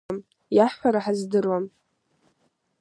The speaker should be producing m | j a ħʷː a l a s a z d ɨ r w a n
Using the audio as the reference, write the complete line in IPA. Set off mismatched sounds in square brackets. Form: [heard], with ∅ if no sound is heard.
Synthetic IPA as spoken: m | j a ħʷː a [ɾ] a [ħ] a z d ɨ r w a [m]